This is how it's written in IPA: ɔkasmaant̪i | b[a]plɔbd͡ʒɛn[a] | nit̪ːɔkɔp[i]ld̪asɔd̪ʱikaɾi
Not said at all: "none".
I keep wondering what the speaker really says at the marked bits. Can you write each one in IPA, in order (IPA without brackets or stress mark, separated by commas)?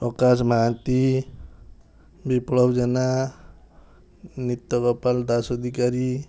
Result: i, a, a